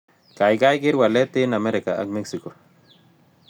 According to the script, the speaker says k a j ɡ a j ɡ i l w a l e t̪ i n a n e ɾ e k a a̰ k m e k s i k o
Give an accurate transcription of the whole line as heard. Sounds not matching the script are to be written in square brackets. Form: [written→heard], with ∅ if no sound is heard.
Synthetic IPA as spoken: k a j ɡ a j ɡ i [l→ɾ] w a l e t̪ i n a [n→m] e ɾ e k a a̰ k m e k s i k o